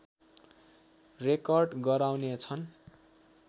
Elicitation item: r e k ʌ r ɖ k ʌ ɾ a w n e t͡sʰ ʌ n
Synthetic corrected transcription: r e k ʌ r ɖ ɡ ʌ ɾ a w n e t͡sʰ ʌ n